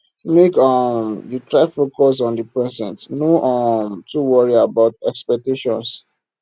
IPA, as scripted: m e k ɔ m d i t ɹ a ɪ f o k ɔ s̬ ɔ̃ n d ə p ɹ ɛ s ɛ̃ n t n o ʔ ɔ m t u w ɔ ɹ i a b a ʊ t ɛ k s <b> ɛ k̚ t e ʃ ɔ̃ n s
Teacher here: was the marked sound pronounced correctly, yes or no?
no